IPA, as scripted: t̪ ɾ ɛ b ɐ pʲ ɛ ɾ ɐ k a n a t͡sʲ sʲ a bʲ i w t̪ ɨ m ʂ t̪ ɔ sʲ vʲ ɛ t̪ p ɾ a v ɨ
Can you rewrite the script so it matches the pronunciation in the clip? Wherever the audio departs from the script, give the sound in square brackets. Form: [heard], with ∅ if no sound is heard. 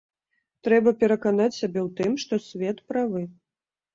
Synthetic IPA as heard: t̪ ɾ ɛ b ɐ pʲ ɛ ɾ ɐ k a n a t͡sʲ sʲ a bʲ [ɛ] w t̪ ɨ m ʂ t̪ ɔ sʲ vʲ ɛ t̪ p ɾ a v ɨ